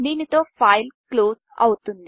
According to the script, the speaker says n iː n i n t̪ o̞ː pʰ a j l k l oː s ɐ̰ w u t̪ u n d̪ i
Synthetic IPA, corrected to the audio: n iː n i t̪ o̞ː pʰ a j l k l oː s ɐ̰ w u t̪ u n d̪ i